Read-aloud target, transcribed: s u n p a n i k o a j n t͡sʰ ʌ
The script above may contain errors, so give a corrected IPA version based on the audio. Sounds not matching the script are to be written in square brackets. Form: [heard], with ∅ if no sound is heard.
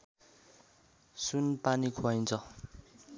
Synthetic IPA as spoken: s u n p a n i [kʰ] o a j n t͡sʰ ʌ